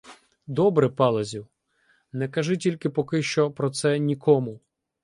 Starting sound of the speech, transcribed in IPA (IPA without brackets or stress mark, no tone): d̪